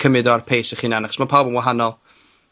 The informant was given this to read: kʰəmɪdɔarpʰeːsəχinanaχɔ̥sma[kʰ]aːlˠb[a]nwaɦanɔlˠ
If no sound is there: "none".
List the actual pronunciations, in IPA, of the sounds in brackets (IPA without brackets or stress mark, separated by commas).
pʰ, ə